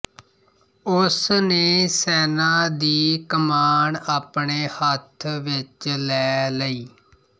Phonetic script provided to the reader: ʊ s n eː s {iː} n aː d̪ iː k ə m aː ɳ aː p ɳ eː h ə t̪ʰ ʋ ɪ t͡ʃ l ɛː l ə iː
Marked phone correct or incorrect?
incorrect